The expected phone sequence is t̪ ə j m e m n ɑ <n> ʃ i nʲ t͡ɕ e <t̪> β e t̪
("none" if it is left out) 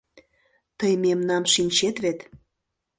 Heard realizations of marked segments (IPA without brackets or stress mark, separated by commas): m, t̪